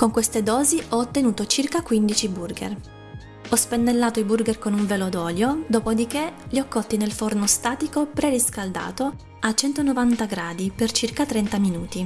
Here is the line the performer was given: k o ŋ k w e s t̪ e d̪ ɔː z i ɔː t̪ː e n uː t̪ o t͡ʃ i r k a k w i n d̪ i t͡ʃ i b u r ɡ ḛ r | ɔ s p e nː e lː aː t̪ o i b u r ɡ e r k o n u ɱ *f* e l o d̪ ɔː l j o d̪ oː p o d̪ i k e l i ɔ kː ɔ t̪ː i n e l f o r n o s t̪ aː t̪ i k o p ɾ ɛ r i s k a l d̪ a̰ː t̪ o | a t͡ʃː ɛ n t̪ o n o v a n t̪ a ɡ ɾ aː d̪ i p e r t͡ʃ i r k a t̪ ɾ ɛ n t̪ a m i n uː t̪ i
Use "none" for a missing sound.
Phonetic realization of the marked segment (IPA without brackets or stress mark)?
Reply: v